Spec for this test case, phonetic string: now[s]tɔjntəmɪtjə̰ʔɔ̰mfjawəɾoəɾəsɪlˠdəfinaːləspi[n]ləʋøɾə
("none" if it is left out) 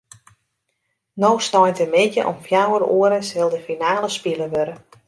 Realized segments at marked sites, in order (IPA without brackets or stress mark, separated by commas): s, none